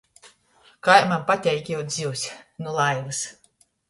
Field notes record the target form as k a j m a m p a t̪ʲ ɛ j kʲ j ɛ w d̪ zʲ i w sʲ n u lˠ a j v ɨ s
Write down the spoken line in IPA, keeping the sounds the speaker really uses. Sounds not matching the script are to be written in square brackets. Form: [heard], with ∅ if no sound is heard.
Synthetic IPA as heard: k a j m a m p a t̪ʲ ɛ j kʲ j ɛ w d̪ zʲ i w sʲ n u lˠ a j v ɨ s